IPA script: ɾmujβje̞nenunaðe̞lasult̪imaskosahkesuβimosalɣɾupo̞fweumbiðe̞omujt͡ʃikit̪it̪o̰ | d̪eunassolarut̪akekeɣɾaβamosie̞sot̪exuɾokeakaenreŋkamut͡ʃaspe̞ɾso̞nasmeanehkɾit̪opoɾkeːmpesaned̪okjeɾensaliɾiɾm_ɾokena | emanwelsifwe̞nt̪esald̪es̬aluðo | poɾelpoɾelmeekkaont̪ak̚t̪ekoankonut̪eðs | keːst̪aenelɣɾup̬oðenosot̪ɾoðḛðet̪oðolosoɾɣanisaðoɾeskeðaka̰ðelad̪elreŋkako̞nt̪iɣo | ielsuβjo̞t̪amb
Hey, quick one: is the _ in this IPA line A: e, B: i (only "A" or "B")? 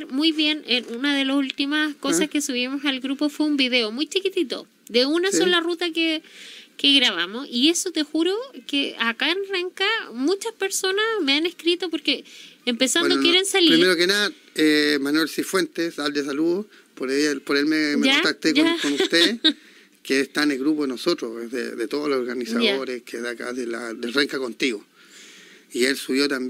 A